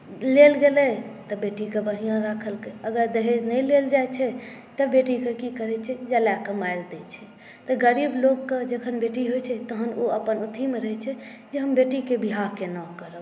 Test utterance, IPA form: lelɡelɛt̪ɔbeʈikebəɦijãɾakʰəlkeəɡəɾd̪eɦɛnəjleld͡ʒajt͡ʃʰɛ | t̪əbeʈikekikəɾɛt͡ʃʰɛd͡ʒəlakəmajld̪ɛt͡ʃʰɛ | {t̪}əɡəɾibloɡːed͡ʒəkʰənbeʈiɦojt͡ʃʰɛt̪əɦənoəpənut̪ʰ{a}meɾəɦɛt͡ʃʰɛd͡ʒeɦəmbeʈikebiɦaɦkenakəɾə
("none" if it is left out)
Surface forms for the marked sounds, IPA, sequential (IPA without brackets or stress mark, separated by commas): t̪, i